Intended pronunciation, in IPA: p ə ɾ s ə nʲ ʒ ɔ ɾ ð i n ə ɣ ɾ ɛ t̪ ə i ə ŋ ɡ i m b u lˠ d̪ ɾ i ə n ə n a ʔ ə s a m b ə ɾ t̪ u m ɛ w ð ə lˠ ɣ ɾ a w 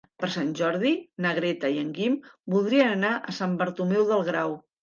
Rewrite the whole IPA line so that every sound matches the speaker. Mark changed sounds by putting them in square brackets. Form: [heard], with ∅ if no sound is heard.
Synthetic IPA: p ə ɾ s [a] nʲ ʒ ɔ ɾ ð i n ə ɣ ɾ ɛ t̪ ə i ə ŋ ɡ i m b u lˠ d̪ ɾ i ə n ə n a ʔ ə s a m b ə ɾ t̪ u m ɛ w ð ə lˠ ɣ ɾ a w